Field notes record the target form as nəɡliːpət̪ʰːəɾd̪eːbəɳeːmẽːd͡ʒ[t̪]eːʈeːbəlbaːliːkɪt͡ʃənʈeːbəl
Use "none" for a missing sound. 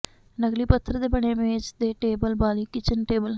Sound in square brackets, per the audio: d̪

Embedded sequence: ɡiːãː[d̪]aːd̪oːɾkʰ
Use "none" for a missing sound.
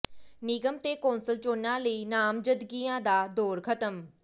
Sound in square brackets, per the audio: d̪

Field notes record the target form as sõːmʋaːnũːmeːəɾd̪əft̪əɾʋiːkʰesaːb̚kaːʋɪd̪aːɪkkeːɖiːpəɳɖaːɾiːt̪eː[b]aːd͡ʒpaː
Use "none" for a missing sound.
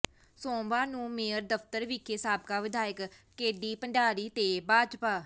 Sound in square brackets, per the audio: b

